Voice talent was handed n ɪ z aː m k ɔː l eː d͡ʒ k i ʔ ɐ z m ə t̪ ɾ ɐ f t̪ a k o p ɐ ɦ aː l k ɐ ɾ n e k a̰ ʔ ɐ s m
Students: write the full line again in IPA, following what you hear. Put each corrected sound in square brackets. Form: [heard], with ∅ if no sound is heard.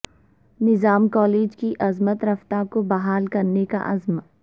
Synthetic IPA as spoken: n ɪ z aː m k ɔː l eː d͡ʒ k i ʔ ɐ z m ə t̪ ɾ ɐ f t̪ a k o [b] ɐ ɦ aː l k ɐ ɾ n e k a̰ ʔ ɐ [z] m